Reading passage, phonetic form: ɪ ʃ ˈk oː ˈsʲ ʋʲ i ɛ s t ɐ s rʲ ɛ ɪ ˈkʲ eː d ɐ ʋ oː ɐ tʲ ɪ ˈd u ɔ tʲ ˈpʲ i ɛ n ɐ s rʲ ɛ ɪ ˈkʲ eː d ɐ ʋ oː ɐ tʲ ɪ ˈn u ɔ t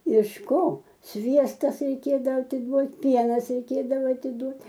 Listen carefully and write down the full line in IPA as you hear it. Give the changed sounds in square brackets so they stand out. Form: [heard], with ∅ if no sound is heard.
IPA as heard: ɪ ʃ ˈk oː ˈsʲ ʋʲ i ɛ s t ɐ s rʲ ɛ ɪ ˈkʲ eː d ɐ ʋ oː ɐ tʲ ɪ ˈd u ɔ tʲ ˈpʲ i ɛ n ɐ s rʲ ɛ ɪ ˈkʲ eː d ɐ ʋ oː ɐ tʲ ɪ [ˈd] u ɔ t